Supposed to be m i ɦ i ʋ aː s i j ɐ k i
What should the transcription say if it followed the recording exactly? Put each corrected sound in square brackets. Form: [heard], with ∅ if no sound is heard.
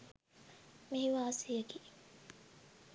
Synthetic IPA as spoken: m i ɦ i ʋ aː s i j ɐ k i